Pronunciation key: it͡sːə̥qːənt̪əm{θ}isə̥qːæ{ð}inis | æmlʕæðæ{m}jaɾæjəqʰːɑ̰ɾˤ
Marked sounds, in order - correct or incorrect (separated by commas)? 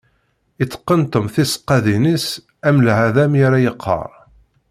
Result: correct, correct, correct